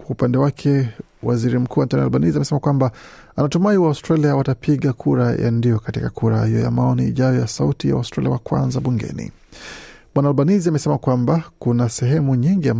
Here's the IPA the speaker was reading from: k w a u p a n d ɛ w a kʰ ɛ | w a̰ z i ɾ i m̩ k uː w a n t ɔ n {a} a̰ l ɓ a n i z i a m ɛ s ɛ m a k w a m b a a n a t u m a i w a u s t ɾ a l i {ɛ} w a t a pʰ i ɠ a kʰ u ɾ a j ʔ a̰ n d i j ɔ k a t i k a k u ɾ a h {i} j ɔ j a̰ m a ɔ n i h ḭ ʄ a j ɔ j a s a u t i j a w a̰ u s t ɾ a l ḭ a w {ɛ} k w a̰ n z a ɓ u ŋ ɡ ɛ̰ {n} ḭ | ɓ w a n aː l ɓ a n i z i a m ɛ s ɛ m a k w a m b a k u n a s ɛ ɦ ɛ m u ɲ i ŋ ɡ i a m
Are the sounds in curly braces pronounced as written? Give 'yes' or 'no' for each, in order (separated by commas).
no, no, yes, no, yes